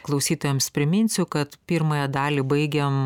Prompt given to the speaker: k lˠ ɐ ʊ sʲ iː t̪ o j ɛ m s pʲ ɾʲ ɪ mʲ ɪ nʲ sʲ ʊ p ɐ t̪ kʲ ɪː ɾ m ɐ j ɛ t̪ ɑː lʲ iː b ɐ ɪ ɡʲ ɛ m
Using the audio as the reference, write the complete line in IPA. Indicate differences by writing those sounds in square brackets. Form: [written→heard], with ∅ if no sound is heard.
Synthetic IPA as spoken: k lˠ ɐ ʊ sʲ iː t̪ o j ɛ m s pʲ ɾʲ ɪ mʲ ɪ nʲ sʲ ʊ [p→k] ɐ t̪ [kʲ→pʲ] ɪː ɾ m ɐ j ɛ [t̪→d̪] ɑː lʲ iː b ɐ ɪ ɡʲ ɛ m